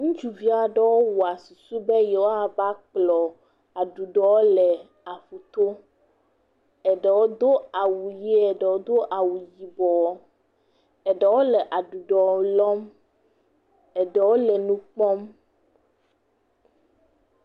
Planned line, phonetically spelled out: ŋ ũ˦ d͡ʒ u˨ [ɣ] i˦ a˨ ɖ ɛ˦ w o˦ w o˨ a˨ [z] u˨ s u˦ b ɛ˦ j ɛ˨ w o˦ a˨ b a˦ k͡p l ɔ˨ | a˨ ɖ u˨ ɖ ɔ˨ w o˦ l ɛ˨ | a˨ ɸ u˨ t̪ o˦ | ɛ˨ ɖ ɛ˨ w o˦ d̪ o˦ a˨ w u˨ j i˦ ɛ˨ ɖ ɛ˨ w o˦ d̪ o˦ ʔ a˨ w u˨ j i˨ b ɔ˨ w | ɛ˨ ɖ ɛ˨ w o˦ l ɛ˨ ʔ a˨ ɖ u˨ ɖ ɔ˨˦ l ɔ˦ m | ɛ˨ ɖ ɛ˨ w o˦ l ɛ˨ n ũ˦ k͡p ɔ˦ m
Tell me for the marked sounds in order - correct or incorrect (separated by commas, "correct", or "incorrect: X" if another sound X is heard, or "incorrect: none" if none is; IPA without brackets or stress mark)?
incorrect: v, incorrect: s